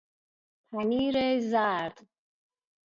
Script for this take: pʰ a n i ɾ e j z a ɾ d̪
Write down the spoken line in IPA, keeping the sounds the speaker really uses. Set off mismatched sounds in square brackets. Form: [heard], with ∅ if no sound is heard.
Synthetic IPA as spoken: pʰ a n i ɾ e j z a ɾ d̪